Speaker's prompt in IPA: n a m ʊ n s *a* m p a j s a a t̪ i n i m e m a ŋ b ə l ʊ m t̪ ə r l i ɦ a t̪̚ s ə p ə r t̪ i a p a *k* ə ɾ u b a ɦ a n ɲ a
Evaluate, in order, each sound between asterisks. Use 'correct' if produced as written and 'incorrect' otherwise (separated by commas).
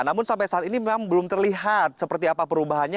correct, incorrect